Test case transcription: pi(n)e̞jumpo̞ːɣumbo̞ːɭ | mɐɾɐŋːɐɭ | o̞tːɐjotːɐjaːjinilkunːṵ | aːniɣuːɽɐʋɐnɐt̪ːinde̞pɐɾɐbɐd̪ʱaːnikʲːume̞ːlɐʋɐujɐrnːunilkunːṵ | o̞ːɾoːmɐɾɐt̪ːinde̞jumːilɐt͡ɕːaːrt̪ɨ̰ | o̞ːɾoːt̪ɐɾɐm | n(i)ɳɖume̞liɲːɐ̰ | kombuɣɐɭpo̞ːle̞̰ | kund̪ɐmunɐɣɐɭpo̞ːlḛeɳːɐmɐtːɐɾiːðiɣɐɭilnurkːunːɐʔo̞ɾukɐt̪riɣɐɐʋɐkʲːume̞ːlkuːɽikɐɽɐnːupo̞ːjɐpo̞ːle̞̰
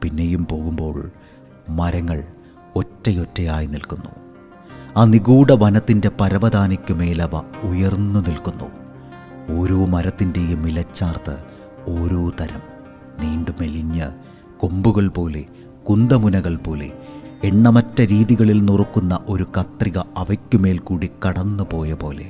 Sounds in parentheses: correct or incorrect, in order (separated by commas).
incorrect, incorrect